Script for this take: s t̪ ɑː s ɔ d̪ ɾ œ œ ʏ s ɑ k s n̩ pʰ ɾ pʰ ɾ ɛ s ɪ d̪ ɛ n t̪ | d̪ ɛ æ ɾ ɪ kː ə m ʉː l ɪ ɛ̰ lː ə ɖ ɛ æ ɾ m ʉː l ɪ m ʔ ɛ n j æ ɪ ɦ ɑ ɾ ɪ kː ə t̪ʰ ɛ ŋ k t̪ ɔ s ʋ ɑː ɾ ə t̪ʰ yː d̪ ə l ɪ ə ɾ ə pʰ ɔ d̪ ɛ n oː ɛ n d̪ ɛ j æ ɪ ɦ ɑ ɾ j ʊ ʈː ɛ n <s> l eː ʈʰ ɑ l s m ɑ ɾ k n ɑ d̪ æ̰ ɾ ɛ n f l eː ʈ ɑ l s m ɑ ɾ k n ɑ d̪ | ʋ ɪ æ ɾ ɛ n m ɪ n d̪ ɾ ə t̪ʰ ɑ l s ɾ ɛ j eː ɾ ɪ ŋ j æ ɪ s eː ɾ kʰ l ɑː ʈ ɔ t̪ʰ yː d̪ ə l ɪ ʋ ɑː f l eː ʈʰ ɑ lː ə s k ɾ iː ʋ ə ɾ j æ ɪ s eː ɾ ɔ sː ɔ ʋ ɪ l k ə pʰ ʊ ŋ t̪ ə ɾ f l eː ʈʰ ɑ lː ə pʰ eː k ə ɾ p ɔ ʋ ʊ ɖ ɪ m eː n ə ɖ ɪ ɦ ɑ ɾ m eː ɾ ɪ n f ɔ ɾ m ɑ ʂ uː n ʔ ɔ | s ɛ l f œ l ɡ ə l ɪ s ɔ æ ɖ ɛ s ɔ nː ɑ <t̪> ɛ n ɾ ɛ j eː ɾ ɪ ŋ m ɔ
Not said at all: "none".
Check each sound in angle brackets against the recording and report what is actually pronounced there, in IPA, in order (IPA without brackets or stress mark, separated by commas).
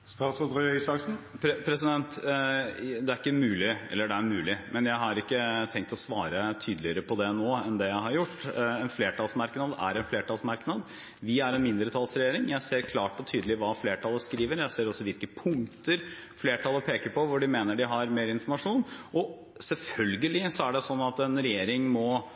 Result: f, t̪